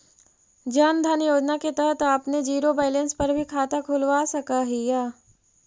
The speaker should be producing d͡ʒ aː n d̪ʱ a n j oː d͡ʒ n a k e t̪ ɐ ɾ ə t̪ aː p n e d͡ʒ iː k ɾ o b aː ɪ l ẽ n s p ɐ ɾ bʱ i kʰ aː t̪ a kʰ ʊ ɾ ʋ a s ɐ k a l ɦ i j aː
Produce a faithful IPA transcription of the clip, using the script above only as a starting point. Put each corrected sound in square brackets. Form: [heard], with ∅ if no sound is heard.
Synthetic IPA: d͡ʒ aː n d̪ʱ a n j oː d͡ʒ n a k e t̪ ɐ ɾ ə t̪ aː p n e d͡ʒ iː [∅] ɾ o b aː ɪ l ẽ n s p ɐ ɾ bʱ i kʰ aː t̪ a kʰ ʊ [l] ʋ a s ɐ k a [∅] ɦ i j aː